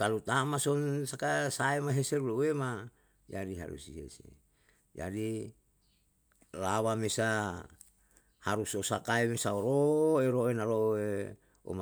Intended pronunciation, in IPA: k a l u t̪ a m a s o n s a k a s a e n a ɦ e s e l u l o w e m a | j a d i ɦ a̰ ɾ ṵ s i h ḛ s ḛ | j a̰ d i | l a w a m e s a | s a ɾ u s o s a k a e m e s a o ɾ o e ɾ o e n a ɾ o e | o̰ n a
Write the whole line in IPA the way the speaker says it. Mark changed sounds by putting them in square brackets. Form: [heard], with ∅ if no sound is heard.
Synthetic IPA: k a l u t̪ a m a s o n s a k a s a e [m] a ɦ e s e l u l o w e m a | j a d i ɦ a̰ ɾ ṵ s i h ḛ s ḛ | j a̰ d i | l a w a m e s a | [h] a ɾ u s o s a k a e m e s a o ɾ o e ɾ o e n a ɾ o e | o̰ [m] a